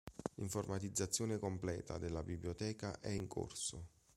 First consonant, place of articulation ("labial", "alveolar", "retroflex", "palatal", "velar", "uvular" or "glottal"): labial